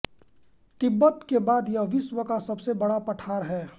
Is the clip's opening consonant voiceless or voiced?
voiceless